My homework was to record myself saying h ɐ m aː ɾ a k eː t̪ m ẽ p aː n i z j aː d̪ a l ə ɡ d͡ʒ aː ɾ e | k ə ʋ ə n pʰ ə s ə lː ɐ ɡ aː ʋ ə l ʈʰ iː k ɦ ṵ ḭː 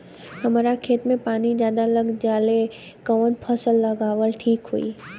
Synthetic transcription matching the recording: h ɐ m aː ɾ a kʰ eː t̪ m ẽ p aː n i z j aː d̪ a l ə ɡ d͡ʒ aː l e | k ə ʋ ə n pʰ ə s ə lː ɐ ɡ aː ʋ ə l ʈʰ iː k ɦ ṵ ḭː